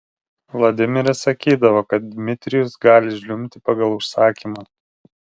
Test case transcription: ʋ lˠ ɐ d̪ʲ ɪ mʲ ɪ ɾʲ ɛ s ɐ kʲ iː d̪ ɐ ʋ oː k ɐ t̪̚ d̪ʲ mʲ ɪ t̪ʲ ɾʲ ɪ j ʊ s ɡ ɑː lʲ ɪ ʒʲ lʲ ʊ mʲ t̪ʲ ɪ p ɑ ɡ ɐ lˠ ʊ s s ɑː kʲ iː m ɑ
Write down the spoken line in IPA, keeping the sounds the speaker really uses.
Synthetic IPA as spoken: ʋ lˠ ɐ d̪ʲ ɪ mʲ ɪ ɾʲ ɛ s ɐ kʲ iː d̪ ɐ ʋ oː k ɐ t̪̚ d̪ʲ mʲ ɪ t̪ʲ ɾʲ ɪ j ʊ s ɡ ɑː lʲ ɪ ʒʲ lʲ ʊ mʲ t̪ʲ ɪ p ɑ ɡ ɐ lˠ ʊ ʃ s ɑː kʲ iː m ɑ